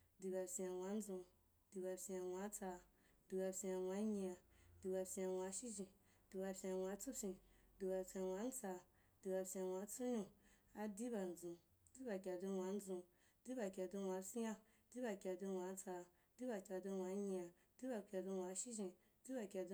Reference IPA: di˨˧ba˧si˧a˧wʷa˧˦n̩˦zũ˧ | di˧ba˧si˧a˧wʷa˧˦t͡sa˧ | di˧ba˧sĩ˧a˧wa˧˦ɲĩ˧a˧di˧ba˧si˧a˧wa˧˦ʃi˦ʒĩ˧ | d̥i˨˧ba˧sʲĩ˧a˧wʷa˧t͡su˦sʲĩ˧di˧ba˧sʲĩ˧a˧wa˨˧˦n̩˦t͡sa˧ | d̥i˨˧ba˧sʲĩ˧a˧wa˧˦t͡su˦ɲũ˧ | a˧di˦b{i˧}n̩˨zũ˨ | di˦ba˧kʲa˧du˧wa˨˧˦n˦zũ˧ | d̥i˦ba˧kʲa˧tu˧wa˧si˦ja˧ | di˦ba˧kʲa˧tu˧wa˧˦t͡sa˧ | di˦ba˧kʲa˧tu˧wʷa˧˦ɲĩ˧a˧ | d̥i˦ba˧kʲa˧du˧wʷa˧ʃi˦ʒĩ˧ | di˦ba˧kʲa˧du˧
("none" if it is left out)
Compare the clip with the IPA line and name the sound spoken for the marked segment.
a˧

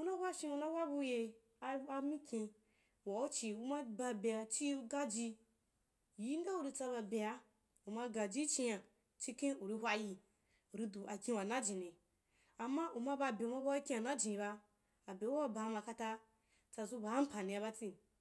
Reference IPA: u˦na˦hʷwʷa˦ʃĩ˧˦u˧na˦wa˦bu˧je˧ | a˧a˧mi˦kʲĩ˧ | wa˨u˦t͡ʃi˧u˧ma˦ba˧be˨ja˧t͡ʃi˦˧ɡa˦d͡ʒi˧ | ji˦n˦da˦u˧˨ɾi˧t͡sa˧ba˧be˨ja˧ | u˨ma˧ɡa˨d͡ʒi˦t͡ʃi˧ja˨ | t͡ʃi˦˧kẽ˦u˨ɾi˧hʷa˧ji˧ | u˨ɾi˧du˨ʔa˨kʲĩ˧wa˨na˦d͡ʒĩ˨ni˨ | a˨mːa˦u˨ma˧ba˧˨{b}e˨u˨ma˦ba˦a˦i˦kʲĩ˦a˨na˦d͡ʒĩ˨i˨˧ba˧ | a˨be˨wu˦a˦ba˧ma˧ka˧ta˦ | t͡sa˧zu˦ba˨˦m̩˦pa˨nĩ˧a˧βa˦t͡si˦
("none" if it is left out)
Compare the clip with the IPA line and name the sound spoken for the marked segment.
b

